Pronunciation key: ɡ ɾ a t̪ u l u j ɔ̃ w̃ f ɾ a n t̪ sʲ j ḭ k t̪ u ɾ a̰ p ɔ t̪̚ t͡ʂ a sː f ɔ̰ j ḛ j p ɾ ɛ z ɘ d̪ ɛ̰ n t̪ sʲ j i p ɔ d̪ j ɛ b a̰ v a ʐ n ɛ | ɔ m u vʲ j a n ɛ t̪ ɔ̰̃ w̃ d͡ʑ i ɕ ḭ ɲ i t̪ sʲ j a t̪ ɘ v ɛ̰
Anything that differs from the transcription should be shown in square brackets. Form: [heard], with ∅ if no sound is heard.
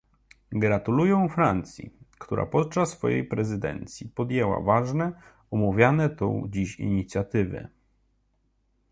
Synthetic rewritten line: ɡ ɾ a t̪ u l u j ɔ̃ w̃ f ɾ a n t̪ sʲ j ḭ k t̪ u ɾ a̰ p ɔ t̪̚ t͡ʂ a sː f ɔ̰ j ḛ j p ɾ ɛ z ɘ d̪ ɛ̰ n t̪ sʲ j i p ɔ d̪ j ɛ [w] a̰ v a ʐ n ɛ | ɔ m u vʲ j a n ɛ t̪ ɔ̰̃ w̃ d͡ʑ i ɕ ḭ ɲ i t̪ sʲ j a t̪ ɘ v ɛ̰